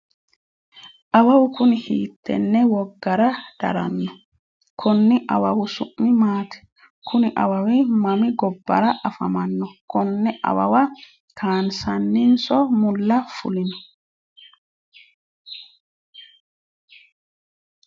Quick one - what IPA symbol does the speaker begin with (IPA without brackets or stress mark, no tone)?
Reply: ʔ